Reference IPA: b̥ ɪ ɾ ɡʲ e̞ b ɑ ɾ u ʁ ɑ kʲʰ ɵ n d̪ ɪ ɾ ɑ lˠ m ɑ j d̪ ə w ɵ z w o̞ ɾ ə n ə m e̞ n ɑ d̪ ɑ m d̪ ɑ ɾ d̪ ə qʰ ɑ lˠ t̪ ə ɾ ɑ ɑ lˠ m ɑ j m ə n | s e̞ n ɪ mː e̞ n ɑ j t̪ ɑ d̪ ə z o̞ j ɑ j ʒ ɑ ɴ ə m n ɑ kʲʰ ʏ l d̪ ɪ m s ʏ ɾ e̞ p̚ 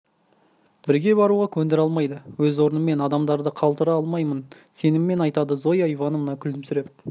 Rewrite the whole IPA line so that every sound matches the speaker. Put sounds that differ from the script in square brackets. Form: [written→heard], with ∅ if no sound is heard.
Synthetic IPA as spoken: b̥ ɪ ɾ ɡʲ e̞ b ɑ ɾ u ʁ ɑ kʲʰ ɵ n d̪ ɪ ɾ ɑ lˠ m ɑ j d̪ ə w ɵ z w o̞ ɾ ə n ə m e̞ n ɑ d̪ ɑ m d̪ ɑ ɾ d̪ ə qʰ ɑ lˠ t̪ ə ɾ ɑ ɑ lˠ m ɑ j m ə n | s e̞ n ɪ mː e̞ n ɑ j t̪ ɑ d̪ ə z o̞ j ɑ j [ʒ→v] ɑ [ɴ→n] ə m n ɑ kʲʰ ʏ l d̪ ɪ m s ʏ ɾ e̞ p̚